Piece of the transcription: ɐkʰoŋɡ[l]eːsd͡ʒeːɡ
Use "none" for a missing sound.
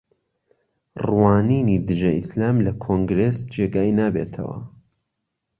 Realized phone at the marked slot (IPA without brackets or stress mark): ɾ